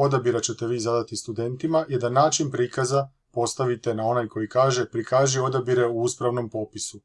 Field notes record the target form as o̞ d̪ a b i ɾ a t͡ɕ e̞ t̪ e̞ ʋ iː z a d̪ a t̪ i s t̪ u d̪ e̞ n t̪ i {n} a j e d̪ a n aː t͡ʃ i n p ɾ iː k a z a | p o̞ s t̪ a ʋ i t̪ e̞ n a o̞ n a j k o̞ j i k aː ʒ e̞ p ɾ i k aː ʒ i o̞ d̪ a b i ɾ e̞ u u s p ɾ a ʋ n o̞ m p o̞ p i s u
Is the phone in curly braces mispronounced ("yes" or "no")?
yes